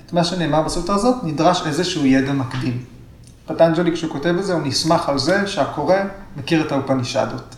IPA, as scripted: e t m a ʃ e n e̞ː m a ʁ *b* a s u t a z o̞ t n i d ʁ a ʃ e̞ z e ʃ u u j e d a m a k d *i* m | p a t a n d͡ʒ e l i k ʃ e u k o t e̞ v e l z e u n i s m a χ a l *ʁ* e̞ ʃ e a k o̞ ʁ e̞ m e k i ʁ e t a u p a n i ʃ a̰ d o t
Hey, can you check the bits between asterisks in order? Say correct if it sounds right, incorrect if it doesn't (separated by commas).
correct, correct, incorrect